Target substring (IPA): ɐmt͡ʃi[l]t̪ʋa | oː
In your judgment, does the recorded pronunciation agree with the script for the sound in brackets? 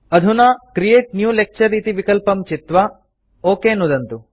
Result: no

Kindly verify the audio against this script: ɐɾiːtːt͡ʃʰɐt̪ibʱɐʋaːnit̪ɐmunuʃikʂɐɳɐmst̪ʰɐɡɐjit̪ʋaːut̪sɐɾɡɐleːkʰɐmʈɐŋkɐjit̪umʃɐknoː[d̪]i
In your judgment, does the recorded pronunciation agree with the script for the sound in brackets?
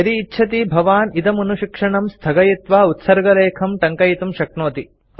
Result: no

